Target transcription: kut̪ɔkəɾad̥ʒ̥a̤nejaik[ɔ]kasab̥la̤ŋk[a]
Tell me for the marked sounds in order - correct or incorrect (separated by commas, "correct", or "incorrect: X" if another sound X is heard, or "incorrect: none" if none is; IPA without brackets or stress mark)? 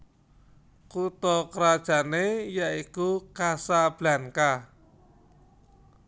incorrect: u, correct